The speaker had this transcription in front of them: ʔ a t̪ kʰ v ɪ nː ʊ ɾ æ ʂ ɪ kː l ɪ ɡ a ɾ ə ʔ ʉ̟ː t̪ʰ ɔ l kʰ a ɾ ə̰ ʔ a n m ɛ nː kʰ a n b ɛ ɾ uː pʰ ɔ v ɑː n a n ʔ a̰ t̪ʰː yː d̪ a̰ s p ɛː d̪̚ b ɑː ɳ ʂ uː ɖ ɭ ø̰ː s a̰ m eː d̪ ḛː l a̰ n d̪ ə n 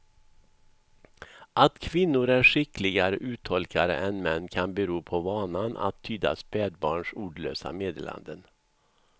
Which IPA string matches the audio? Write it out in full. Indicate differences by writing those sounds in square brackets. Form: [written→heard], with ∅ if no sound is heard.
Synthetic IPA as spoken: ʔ a t̪ kʰ v ɪ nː ʊ ɾ æ ʂ ɪ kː l ɪ ɡ a ɾ ə ʔ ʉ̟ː t̪ʰ ɔ l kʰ a ɾ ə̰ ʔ [a→ɛ] n m ɛ nː kʰ a n b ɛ ɾ uː pʰ ɔ v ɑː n a n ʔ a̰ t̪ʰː yː d̪ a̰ s p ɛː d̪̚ b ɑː ɳ ʂ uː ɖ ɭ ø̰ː s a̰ m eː d̪ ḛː l a̰ n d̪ ə n